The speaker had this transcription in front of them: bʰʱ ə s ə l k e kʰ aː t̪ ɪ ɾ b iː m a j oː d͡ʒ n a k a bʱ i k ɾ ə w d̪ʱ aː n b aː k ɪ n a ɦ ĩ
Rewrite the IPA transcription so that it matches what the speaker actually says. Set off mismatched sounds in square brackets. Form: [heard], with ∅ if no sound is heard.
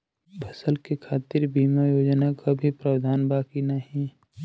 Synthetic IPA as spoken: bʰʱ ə s ə l k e kʰ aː t̪ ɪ ɾ b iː m a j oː d͡ʒ n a k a bʱ i [p] ɾ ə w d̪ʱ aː n b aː k [i] n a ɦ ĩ